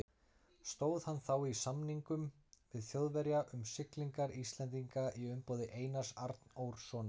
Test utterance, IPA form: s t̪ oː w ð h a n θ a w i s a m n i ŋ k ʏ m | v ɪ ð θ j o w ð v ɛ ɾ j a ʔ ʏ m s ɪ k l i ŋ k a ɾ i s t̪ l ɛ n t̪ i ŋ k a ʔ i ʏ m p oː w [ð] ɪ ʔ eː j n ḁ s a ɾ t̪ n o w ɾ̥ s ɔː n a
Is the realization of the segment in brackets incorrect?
no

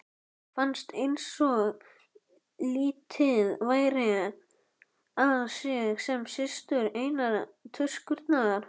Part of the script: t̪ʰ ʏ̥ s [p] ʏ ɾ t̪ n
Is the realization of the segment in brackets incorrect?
yes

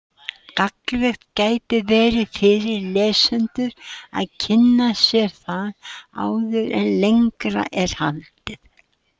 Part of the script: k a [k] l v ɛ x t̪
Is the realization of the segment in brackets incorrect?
no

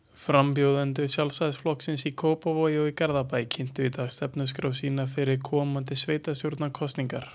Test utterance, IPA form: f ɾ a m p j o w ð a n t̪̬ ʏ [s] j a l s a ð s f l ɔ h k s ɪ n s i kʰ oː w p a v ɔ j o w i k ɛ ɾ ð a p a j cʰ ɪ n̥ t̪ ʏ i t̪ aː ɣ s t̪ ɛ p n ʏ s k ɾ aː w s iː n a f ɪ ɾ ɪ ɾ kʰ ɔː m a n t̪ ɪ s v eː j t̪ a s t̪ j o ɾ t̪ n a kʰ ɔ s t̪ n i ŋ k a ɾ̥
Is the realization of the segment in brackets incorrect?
no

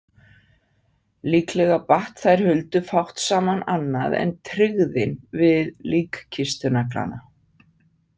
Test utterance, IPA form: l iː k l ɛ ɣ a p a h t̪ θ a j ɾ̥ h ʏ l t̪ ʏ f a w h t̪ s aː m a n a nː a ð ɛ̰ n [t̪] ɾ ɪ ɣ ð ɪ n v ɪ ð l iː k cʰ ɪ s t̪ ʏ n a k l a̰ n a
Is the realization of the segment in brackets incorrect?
yes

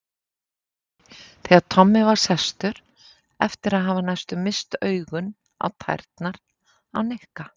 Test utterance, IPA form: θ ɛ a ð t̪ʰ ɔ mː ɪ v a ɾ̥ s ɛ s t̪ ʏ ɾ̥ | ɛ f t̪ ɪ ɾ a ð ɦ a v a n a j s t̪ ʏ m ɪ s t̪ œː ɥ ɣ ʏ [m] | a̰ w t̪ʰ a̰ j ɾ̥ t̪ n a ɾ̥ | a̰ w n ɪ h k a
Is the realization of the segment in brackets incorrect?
yes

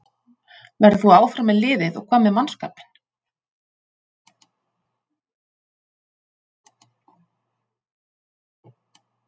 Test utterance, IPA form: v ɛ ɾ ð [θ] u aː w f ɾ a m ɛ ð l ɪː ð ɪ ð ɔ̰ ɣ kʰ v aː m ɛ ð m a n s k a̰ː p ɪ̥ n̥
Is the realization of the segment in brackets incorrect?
no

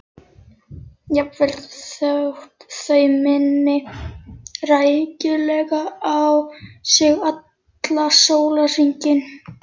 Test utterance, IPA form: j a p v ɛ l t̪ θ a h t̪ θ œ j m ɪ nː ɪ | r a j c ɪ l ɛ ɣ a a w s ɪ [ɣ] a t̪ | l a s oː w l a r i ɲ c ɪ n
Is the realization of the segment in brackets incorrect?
no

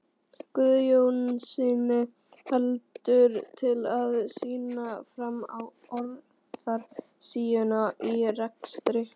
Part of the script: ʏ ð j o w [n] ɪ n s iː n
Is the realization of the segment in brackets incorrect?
no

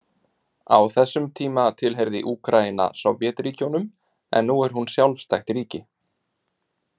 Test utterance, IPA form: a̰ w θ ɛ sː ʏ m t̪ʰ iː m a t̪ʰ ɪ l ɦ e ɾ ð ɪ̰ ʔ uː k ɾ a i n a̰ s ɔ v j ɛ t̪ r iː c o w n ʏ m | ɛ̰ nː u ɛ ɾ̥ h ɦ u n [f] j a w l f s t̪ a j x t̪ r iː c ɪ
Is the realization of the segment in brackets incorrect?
yes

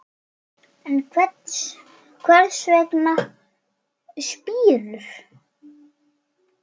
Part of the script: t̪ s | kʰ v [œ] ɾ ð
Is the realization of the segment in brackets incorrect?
yes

